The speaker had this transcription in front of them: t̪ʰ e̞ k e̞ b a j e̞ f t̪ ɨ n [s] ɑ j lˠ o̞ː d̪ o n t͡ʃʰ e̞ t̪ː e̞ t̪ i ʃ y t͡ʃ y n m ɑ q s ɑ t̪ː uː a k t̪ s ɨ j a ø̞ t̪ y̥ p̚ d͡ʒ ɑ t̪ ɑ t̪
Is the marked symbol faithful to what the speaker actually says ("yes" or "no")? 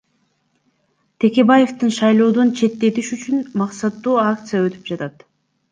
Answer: no